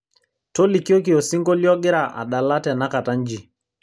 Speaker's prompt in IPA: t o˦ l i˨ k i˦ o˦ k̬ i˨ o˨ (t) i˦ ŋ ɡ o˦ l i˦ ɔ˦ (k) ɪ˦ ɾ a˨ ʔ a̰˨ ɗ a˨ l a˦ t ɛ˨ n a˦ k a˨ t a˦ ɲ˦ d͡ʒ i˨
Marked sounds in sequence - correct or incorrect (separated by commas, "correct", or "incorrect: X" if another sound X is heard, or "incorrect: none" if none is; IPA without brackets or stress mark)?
incorrect: s, incorrect: ɡ